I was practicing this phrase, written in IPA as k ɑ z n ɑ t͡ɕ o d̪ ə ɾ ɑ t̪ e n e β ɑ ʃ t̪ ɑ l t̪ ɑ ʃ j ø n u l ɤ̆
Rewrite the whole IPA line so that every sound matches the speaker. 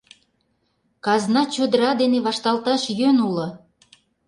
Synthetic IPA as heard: k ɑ z n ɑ t͡ɕ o d̪ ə ɾ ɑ d̪ e n e β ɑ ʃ t̪ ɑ l t̪ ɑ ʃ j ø n u l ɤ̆